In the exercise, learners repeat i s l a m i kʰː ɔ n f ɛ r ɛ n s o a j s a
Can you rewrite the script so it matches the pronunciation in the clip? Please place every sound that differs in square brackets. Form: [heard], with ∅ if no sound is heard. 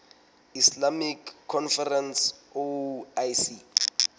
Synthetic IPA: i s l a m i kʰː ɔ n f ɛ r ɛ n s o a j s [i]